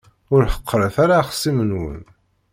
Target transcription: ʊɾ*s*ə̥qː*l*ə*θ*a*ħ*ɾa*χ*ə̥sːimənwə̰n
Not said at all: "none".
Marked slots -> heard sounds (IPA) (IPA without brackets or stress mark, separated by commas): ħ, ɾ, θ, none, χ